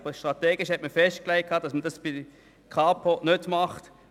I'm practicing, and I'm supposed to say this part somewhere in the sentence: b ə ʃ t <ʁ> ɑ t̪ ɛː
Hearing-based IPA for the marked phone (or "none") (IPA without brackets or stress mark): ʁ